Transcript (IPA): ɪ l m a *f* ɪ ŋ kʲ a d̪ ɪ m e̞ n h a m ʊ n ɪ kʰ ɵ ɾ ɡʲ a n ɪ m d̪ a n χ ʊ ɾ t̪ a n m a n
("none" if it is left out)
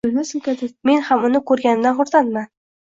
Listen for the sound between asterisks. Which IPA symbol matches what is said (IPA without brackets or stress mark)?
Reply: s